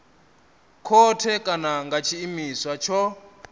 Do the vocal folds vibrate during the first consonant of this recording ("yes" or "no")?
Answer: no